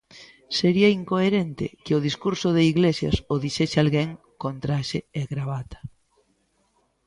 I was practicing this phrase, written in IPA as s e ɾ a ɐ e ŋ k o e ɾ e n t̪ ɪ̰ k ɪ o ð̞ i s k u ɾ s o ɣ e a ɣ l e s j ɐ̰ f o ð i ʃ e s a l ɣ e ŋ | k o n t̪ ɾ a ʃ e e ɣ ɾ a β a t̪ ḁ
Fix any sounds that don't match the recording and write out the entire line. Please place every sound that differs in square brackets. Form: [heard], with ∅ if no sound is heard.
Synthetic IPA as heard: s e ɾ [i] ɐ [i] ŋ k o e ɾ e n t̪ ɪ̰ k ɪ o ð̞ i s k u ɾ s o [ð] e [i] ɣ l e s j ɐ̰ [s] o ð i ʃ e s a l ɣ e ŋ | k o n t̪ ɾ a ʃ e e ɣ ɾ a β a t̪ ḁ